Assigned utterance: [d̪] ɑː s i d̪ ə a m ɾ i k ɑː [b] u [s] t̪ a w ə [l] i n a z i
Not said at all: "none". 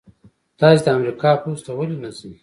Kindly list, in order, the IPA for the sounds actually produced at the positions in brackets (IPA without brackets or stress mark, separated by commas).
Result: t̪, p, s, l